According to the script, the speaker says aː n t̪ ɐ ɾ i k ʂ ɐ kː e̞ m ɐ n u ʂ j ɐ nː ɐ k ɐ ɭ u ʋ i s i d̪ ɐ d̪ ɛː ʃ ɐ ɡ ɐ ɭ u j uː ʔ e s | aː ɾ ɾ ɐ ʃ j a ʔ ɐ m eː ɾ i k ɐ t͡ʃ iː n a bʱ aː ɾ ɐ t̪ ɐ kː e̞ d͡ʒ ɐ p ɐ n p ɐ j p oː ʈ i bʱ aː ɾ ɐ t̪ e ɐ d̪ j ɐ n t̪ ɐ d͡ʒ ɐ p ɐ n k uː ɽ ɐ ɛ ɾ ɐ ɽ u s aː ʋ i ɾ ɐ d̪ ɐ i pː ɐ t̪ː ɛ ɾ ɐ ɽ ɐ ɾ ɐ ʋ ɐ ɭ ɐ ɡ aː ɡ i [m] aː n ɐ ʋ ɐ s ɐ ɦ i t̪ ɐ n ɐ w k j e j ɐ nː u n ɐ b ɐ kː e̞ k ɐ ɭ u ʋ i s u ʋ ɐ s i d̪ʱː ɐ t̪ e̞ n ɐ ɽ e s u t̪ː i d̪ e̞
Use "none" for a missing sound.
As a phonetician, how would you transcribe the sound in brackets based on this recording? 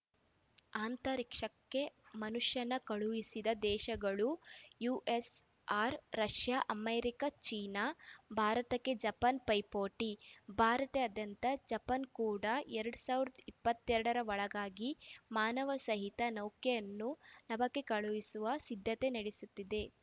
m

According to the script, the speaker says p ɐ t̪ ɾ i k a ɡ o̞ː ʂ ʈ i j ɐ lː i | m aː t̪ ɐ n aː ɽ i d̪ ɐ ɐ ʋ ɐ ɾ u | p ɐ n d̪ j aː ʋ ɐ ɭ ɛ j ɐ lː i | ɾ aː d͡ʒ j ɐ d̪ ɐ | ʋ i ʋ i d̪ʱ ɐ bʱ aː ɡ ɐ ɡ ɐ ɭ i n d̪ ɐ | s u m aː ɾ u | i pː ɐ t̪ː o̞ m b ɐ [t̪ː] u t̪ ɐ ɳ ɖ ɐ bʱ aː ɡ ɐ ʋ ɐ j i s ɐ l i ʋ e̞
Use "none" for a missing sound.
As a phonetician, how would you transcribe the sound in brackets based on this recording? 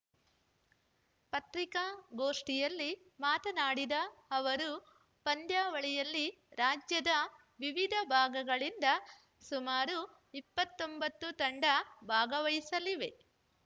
t̪ː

